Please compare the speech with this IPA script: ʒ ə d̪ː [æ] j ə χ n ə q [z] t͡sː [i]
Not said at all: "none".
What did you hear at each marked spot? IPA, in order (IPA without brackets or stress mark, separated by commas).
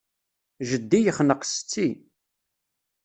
i, s, i